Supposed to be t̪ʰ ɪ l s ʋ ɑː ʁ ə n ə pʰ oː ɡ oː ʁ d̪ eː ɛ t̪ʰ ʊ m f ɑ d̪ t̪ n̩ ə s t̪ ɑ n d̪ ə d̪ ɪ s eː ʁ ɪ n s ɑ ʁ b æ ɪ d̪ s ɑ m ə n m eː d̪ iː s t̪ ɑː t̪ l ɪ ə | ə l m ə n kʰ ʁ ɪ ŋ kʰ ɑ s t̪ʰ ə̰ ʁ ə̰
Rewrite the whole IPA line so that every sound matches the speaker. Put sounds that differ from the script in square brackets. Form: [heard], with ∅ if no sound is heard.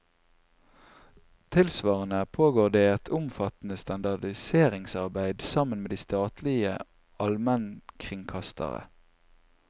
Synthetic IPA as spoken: t̪ʰ ɪ l s ʋ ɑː ʁ ə n ə pʰ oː ɡ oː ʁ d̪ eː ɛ t̪ʰ ʊ m f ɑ [∅] t̪ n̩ ə s t̪ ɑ n d̪ [ɑ] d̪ ɪ s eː ʁ ɪ [ŋ] s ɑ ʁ b æ ɪ d̪ s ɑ m ə n m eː d̪ iː s t̪ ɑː t̪ l ɪ ə | [ɑ] l m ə n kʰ ʁ ɪ ŋ kʰ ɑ s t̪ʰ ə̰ ʁ ə̰

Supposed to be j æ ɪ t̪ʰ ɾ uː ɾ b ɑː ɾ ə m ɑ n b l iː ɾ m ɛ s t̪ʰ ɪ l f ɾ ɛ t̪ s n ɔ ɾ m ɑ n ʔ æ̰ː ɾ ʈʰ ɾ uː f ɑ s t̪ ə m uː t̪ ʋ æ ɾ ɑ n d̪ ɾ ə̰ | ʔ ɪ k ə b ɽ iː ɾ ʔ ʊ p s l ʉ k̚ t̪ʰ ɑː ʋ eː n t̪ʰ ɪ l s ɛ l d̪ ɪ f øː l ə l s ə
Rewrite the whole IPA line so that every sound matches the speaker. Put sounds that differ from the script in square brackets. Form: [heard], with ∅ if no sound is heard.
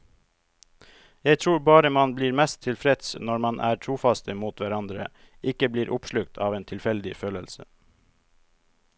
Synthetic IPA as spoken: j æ ɪ t̪ʰ ɾ uː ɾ b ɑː ɾ ə m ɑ n b l iː ɾ m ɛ s t̪ʰ ɪ l f ɾ ɛ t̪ s n ɔ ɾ m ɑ n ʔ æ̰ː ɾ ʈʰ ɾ uː f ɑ s t̪ ə m uː t̪ ʋ æ ɾ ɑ n d̪ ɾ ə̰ | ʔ ɪ k ə b [l] iː ɾ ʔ ʊ p [ʃ] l ʉ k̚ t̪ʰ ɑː ʋ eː n t̪ʰ ɪ l [f] ɛ l d̪ ɪ f øː l ə l s ə

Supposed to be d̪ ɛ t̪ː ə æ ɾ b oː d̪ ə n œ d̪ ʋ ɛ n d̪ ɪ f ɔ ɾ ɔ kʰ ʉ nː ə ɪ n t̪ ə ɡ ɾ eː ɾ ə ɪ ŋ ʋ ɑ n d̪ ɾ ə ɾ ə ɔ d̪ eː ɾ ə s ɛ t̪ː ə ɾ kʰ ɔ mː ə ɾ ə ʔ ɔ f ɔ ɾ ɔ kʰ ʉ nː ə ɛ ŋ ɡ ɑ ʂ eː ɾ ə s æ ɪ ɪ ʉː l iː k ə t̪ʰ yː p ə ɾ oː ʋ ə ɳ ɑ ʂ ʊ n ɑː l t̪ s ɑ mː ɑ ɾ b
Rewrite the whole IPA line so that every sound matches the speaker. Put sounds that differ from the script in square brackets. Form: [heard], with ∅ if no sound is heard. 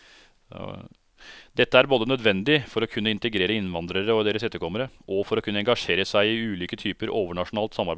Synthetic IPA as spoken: d̪ ɛ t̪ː ə æ ɾ b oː d̪ ə n œ d̪ ʋ ɛ n d̪ ɪ f ɔ ɾ ɔ kʰ ʉ nː ə ɪ n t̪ ə ɡ ɾ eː ɾ ə ɪ [n] ʋ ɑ n d̪ ɾ ə ɾ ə ɔ d̪ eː ɾ ə s ɛ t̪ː ə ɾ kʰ ɔ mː ə ɾ ə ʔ ɔ f ɔ ɾ ɔ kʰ ʉ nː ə ɛ ŋ ɡ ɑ ʂ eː ɾ ə s æ ɪ ɪ ʉː l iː k ə t̪ʰ yː p ə ɾ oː ʋ ə ɳ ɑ ʂ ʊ n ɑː l t̪ s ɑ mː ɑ ɾ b

